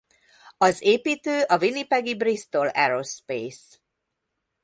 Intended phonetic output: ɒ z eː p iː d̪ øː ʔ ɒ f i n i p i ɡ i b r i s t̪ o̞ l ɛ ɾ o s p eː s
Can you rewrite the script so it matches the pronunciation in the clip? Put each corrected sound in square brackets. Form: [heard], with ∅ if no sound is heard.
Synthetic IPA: ɒ z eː p iː [t̪] øː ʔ ɒ [v] i n i p [ɛ] ɡ i b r i s t̪ o̞ l ɛ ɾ o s p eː s